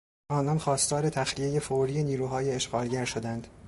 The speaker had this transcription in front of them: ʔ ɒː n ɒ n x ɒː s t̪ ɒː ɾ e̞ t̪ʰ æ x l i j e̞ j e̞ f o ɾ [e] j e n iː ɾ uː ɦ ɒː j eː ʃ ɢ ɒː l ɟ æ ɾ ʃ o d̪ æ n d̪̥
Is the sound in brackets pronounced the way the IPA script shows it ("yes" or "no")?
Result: no